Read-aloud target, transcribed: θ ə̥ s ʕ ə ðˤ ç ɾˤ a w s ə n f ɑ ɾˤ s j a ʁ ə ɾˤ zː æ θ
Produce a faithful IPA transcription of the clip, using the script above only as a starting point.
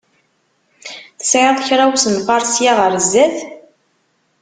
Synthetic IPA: θ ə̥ s ʕ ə ðˤ ç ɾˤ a w s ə n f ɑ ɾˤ s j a ʁ ə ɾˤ zː æ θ